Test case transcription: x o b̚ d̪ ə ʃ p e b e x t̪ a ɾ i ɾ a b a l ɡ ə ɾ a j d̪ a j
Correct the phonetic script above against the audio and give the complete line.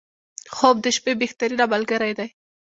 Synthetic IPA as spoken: x o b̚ d̪ ə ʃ p e b e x t̪ a ɾ i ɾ a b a l ɡ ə ɾ a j d̪ a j